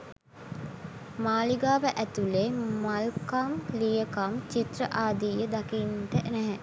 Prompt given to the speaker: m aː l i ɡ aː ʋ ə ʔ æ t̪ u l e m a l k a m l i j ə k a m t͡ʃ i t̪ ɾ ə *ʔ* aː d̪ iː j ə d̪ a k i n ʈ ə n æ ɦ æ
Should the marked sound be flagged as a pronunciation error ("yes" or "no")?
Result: no